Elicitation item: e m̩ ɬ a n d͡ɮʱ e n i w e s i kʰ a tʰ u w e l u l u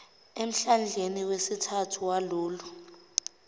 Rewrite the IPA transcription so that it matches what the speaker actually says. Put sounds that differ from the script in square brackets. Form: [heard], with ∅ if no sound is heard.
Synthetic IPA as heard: e m̩ ɬ a n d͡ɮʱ e n i w e s i [tʰ] a tʰ u w [a] l [uː] l u